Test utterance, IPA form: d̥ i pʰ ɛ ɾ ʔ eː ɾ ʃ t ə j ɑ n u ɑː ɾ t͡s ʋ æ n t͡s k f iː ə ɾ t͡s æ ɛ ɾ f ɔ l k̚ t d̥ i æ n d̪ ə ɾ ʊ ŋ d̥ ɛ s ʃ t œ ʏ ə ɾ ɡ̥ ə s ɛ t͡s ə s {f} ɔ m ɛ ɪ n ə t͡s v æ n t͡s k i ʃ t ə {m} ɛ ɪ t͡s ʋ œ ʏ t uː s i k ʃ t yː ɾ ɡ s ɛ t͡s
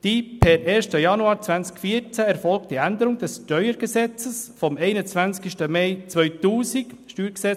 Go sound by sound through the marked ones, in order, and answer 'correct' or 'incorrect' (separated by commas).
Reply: correct, correct